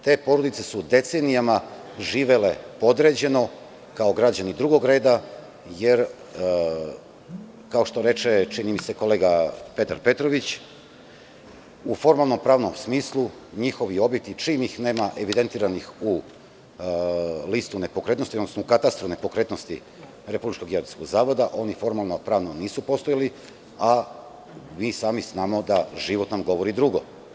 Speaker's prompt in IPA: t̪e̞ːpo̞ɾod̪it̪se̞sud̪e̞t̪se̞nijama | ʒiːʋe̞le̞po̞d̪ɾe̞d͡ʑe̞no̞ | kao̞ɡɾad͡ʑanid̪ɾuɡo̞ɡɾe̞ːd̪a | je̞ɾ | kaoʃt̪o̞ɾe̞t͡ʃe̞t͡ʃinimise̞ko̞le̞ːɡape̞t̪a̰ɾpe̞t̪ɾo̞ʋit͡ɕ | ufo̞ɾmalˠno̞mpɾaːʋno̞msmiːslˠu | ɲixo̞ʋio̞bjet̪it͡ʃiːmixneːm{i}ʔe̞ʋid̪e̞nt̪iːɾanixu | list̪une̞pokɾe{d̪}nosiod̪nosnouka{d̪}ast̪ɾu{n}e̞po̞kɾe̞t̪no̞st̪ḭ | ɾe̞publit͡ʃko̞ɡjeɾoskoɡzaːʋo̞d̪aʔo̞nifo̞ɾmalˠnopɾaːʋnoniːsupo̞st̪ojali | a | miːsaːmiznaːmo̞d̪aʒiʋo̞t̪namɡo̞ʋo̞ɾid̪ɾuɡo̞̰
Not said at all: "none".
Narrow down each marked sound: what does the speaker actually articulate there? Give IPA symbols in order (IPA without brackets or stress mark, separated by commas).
a, t̪, t̪, n